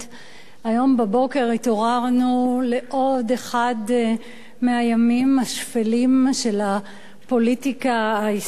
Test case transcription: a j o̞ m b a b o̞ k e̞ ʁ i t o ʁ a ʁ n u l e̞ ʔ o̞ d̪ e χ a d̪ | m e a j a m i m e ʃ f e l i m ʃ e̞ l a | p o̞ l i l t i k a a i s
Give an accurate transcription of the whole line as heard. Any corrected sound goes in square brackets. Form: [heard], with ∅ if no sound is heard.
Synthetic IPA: a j o̞ m b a b o̞ k e̞ ʁ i t o ʁ a ʁ n u l e̞ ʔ o̞ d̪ e χ a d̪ | m e a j a m i m [a] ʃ f e l i m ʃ e̞ l a | p o̞ l i [∅] t i k a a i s